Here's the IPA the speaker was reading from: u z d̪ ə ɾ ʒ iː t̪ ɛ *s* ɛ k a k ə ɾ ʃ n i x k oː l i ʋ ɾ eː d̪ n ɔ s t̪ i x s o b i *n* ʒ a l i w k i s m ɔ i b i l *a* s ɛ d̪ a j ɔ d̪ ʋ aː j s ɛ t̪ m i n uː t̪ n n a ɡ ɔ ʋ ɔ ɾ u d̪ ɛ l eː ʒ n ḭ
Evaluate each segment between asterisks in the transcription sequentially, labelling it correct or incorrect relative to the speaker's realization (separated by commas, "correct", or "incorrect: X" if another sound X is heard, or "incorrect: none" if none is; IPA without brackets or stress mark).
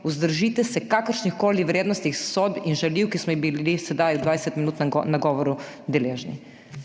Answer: correct, correct, incorrect: i